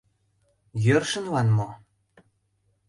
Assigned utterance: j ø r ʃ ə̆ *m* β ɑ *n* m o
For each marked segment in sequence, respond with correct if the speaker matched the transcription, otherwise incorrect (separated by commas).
incorrect, correct